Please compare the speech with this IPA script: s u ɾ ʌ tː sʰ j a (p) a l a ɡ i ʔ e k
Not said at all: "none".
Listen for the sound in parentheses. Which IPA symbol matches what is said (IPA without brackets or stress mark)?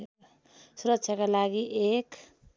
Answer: k